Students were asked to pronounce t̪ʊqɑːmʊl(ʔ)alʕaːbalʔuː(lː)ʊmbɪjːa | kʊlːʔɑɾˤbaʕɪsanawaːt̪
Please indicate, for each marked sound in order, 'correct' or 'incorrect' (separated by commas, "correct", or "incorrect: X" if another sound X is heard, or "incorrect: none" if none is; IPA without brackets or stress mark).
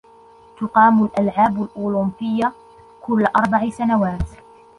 correct, incorrect: l